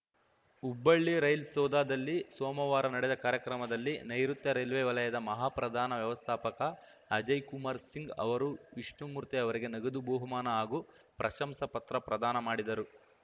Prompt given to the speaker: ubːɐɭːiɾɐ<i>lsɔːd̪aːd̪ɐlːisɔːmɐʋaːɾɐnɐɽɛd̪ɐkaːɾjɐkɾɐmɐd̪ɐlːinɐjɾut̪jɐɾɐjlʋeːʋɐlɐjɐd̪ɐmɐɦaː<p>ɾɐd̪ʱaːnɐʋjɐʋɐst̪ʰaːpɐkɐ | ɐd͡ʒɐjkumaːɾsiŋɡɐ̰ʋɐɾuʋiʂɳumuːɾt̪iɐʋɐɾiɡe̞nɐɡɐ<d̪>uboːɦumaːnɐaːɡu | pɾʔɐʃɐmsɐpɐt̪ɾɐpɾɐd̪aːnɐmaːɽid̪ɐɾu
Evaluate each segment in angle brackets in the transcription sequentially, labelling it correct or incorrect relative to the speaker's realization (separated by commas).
incorrect, correct, correct